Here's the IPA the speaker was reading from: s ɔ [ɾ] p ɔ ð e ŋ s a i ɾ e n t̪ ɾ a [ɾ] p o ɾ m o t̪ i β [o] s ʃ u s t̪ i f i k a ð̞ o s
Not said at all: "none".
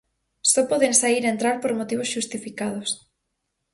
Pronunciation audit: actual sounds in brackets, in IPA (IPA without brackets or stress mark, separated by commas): none, ɾ, o